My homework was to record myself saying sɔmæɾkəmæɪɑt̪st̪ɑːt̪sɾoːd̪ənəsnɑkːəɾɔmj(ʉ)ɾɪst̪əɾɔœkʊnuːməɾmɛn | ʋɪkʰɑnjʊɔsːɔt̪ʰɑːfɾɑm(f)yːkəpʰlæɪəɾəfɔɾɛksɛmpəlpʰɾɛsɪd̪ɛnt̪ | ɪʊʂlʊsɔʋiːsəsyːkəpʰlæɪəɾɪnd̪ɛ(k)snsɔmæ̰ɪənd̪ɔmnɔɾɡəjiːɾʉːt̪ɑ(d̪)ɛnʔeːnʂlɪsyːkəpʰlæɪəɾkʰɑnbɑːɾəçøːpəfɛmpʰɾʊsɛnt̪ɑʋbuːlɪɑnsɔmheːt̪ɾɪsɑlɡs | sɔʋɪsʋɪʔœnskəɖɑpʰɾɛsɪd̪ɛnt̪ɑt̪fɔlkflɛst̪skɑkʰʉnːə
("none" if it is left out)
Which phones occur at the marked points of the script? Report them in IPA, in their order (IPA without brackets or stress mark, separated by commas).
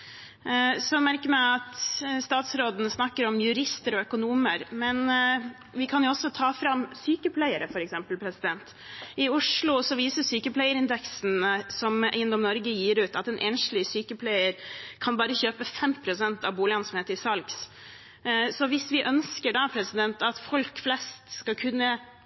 ʉ, s, k, t̪